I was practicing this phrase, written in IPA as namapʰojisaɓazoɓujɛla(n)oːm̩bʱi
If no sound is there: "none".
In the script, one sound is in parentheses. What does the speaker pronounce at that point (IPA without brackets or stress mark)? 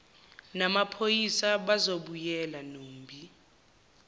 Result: n